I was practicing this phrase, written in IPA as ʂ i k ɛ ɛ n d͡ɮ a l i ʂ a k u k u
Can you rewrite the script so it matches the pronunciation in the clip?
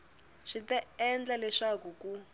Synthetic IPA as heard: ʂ i t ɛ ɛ n d͡ɮ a l ɛ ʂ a k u k u